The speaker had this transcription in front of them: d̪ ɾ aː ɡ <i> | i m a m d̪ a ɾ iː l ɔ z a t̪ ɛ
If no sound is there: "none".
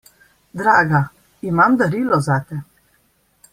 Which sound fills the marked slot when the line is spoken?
a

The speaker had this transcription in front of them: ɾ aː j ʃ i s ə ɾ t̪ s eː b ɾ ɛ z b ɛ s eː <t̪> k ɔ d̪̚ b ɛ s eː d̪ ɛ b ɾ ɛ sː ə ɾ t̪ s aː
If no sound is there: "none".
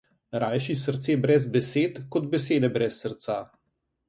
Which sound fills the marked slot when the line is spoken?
t̪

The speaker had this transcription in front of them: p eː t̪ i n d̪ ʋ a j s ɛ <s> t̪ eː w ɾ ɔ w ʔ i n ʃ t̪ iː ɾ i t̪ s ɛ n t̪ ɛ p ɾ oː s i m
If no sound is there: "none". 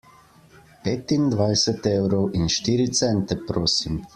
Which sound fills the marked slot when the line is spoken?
none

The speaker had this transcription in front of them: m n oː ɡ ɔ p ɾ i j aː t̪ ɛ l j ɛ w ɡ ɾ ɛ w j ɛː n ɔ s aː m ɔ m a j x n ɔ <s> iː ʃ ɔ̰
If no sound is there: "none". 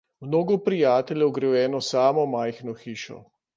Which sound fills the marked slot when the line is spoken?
x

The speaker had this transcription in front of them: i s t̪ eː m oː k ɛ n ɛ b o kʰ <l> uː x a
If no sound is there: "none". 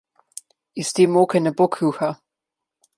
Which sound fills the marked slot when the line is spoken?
ɾ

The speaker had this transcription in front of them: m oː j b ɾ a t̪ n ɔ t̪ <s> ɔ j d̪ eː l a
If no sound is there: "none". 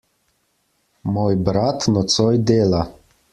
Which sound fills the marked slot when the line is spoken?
s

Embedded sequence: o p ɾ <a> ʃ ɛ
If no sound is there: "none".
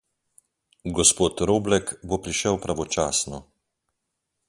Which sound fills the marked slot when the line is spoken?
i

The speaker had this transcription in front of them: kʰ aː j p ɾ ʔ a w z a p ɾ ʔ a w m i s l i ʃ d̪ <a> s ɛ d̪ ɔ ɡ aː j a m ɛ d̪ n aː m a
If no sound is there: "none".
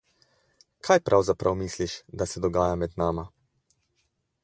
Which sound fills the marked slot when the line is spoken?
a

